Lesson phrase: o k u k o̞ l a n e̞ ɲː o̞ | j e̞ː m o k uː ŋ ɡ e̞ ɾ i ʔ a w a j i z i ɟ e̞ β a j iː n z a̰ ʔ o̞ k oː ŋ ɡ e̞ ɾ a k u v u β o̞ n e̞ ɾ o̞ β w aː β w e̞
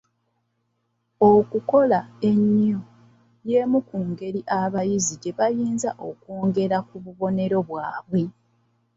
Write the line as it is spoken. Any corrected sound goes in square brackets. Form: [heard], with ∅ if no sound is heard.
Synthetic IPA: o k u k o̞ l a [∅] e̞ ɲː o̞ | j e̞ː m [u] k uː ŋ ɡ e̞ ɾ i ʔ a [β] a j i z i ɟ e̞ β a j iː n z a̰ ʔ o̞ k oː ŋ ɡ e̞ ɾ a k u [β] u β o̞ n e̞ ɾ o̞ β w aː β w e̞